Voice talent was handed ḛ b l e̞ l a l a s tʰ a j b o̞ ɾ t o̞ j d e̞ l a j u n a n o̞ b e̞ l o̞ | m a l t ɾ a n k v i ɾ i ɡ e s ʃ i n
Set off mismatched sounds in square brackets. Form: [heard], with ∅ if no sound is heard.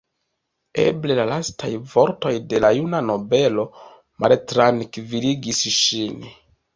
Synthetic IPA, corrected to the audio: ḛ b l e̞ l a l a s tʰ a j [v] o̞ ɾ t o̞ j d e̞ l a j u n a n o̞ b e̞ l o̞ | m a l t ɾ a n k v i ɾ i ɡ [i] s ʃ i n